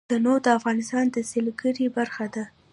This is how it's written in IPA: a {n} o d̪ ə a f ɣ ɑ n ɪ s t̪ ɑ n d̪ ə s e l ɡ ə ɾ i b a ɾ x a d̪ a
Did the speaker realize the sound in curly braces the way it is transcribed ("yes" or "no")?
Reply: yes